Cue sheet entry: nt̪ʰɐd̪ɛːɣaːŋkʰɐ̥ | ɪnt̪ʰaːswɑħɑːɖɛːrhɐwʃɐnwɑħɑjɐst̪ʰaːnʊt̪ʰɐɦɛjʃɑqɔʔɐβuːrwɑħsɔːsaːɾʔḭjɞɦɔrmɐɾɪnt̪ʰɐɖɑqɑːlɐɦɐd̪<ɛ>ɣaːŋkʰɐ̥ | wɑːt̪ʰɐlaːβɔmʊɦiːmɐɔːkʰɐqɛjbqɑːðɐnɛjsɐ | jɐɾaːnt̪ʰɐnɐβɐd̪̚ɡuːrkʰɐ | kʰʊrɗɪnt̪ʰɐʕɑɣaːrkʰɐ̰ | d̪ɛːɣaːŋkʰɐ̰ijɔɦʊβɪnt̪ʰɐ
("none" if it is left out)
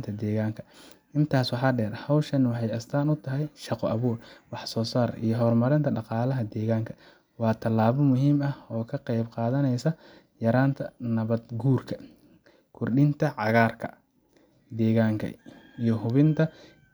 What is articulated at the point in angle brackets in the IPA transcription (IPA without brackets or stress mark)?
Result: ɛː